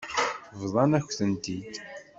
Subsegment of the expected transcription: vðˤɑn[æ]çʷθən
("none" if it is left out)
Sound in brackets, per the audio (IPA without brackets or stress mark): æ